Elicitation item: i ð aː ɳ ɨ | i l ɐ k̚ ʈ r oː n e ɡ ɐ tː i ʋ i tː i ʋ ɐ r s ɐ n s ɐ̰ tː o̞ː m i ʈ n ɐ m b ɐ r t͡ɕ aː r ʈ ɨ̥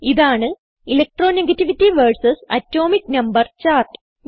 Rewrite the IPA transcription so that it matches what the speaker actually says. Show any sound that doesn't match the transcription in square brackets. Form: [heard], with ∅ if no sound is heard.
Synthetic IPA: i ð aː ɳ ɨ | i l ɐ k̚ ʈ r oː n e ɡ ɐ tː i ʋ i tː i ʋ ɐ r s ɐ [∅] s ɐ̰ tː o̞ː m i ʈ n ɐ m b ɐ r t͡ɕ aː r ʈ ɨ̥